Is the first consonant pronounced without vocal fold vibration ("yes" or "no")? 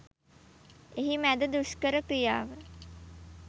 no